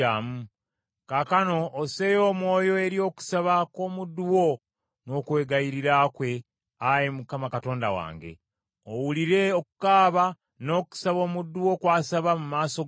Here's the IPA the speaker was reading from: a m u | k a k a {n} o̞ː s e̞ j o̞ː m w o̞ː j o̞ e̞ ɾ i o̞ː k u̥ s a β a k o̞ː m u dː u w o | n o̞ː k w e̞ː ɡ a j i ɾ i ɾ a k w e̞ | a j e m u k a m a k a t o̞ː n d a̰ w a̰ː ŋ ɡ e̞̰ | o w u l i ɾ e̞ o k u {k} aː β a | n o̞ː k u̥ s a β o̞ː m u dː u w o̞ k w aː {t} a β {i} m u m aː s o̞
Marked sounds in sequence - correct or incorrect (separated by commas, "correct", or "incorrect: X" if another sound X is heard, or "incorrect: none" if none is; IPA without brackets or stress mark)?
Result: correct, correct, incorrect: s, incorrect: a